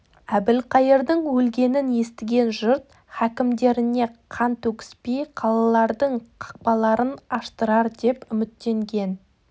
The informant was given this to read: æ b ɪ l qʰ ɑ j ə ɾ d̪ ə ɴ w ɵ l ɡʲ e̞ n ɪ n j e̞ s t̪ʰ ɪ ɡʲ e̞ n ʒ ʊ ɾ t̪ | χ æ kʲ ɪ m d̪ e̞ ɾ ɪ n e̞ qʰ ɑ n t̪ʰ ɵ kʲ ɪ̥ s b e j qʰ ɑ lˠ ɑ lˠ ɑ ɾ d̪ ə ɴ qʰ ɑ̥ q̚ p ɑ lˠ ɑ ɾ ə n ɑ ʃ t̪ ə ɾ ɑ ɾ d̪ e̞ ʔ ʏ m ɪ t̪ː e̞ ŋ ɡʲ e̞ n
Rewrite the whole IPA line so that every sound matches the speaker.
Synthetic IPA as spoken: æ b ɪ l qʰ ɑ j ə ɾ d̪ ə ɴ w ɵ l ɡʲ e̞ n ɪ n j e̞ s t̪ ɪ ɡʲ e̞ n ʒ ʊ ɾ t̪ | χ æ kʲ ɪ m d̪ e̞ ɾ ɪ n e̞ qʰ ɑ n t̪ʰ ɵ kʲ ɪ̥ s p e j qʰ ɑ lˠ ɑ lˠ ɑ ɾ d̪ ə ɴ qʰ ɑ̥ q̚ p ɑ lˠ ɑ ɾ ə n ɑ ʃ t̪ ə ɾ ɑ ɾ d̪ e̞ p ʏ m ɪ t̪ː e̞ ŋ ɡʲ e̞ n